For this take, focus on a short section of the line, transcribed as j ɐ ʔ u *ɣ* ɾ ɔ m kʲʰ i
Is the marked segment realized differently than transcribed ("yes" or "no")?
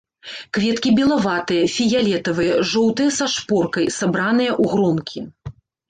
no